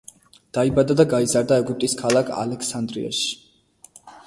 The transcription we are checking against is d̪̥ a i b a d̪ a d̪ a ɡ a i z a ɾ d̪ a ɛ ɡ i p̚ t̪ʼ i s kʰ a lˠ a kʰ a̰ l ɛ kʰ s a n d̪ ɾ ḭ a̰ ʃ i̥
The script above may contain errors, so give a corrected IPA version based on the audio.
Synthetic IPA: d̪̥ a i b a d̪ a d̪ a ɡ a i z a ɾ d̪ a ɛ ɡ y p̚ t̪ʼ i s kʰ a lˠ a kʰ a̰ l ɛ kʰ s a n d̪ ɾ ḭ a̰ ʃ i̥